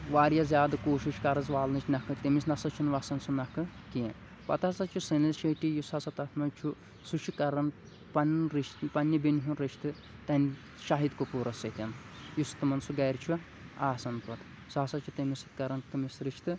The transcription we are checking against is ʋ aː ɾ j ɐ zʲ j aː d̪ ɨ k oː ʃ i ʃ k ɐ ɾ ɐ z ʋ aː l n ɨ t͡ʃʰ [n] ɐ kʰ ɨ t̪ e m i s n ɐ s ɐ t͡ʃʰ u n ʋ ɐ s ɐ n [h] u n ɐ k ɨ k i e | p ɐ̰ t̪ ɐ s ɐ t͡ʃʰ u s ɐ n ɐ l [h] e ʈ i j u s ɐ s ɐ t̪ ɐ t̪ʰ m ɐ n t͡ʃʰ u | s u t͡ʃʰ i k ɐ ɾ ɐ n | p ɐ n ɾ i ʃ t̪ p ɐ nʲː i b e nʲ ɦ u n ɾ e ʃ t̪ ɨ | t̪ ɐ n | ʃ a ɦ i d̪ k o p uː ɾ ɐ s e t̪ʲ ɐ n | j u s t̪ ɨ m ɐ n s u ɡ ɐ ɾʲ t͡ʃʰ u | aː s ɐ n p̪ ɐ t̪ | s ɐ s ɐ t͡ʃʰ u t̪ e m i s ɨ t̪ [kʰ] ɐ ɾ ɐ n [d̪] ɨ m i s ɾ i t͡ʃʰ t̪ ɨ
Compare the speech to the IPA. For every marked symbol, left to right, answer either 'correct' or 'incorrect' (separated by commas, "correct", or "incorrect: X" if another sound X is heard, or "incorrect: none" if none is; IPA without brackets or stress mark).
correct, incorrect: s, incorrect: ʃ, incorrect: k, incorrect: t̪